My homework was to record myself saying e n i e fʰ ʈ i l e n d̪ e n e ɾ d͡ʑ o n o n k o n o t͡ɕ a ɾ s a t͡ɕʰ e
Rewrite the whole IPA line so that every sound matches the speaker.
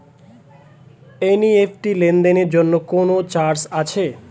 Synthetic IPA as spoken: e n i e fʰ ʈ i l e n d̪ e n e ɾ d͡ʑ o nː o k o n o t͡ɕ a ɾ s a t͡ɕʰ e

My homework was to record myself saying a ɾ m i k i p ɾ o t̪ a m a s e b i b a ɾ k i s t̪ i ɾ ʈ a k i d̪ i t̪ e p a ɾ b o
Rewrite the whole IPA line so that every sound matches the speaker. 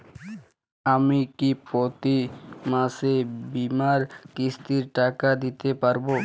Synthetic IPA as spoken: a m i k i p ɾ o t̪ i m a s e b i m a ɾ k i s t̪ i ɾ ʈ a k a d̪ i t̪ e p a ɾ b o

